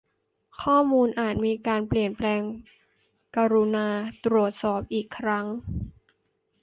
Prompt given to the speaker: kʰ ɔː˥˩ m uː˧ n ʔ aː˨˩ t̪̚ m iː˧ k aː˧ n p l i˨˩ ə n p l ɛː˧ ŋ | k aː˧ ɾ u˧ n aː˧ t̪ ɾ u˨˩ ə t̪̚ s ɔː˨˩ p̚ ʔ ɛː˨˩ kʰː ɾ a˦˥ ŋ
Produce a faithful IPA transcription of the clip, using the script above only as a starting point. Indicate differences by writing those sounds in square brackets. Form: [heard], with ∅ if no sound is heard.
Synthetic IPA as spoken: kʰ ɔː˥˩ m uː˧ n ʔ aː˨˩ t̪̚ m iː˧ k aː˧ n p l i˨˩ ə n p l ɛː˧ ŋ | k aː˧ ɾ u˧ n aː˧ t̪ ɾ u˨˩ ə t̪̚ s ɔː˨˩ p̚ ʔ [iː˨˩] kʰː ɾ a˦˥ ŋ

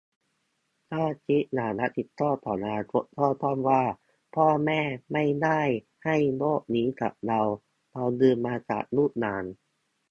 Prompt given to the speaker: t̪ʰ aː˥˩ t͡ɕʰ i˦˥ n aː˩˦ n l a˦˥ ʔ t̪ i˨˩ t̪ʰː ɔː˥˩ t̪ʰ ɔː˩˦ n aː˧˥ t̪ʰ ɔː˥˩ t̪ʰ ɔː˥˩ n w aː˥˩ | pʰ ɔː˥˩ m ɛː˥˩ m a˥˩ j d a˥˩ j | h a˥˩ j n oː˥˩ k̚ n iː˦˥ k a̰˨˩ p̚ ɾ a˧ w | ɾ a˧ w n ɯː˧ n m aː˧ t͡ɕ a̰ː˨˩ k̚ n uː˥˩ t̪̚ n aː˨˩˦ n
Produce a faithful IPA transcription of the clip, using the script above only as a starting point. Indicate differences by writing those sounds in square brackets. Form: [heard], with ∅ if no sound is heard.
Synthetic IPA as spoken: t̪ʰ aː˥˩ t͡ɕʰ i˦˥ n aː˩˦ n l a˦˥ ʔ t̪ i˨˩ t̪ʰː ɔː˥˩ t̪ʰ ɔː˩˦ n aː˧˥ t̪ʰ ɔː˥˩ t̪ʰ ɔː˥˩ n w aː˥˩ | pʰ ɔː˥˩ m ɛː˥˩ m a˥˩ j d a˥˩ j | h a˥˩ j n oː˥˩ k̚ n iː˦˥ k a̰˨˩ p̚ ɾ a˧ w | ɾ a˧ w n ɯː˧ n m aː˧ t͡ɕ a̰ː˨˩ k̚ n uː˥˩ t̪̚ n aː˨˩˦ n

